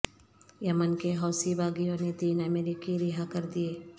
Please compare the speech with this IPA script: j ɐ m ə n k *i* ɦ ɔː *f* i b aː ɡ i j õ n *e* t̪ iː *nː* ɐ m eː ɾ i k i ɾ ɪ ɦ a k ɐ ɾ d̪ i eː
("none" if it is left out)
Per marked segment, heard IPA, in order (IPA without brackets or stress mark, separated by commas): e, s, e, n